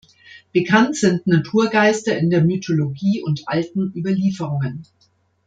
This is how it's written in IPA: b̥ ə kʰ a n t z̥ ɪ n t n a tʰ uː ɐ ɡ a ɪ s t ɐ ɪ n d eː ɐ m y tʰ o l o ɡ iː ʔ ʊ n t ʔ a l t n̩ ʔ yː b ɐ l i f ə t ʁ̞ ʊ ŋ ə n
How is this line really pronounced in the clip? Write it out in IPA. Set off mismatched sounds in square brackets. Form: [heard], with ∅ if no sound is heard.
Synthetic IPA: b̥ ə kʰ a n t z̥ ɪ n t n a tʰ uː ɐ ɡ a ɪ s t ɐ ɪ n d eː ɐ m y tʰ o l o ɡ iː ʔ ʊ n t ʔ a l t n̩ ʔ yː b ɐ l [iː] f ə [∅] ʁ̞ ʊ ŋ ə n